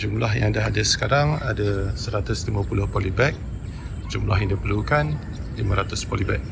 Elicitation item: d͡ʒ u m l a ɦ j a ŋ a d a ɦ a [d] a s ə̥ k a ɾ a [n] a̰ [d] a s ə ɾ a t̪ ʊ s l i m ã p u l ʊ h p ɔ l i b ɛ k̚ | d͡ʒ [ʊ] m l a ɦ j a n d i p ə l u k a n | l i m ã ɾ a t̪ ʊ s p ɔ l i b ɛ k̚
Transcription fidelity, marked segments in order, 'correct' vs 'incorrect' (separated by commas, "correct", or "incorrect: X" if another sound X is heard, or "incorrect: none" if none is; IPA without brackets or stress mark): correct, incorrect: ŋ, correct, incorrect: u